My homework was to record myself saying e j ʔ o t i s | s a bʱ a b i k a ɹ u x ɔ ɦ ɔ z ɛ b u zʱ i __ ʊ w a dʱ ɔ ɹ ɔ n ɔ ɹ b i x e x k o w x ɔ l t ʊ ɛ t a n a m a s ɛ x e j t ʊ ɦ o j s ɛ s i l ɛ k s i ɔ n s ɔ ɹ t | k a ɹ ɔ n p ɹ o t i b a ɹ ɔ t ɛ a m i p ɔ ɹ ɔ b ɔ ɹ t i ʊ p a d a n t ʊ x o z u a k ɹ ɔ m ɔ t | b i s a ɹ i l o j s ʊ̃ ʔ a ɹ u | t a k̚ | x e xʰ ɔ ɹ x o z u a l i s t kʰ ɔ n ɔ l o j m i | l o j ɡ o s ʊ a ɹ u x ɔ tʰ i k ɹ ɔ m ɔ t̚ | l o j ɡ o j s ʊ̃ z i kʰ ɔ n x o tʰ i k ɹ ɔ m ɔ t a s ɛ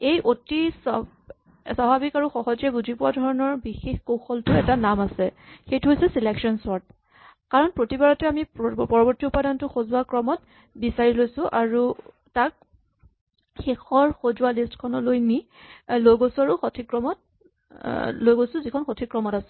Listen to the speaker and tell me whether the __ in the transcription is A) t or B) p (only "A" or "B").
B